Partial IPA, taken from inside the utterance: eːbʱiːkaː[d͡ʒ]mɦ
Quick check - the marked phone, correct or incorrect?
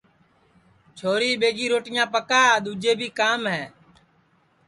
incorrect